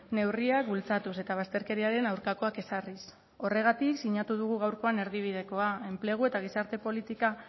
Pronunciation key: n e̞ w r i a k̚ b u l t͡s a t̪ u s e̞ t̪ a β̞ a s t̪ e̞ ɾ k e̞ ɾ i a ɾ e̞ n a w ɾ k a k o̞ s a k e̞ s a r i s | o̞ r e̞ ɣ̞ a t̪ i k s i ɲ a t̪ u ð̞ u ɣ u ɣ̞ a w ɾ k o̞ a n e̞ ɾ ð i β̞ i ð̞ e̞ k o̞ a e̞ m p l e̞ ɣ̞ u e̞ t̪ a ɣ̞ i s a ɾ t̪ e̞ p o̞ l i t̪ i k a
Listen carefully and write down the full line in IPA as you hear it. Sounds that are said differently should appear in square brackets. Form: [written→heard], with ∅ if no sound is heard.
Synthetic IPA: n e̞ w r i a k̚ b u l t͡s a t̪ u s e̞ t̪ a β̞ a s t̪ e̞ ɾ k e̞ ɾ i a ɾ e̞ n a w ɾ k a k o̞ [s→∅] a k e̞ s a r i s | o̞ r e̞ ɣ̞ a t̪ i k s i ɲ a t̪ u ð̞ u ɣ u ɣ̞ a w ɾ k o̞ a n e̞ ɾ ð i β̞ i ð̞ e̞ k o̞ a e̞ m p l e̞ ɣ̞ u e̞ t̪ a ɣ̞ i s a ɾ t̪ e̞ p o̞ l i t̪ i k a